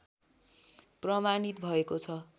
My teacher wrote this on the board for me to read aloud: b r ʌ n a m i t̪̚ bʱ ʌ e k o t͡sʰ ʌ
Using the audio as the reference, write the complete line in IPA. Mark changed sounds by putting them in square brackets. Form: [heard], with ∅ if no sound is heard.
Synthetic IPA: [p] r ʌ [m] a [n] i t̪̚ bʱ ʌ e k o t͡sʰ ʌ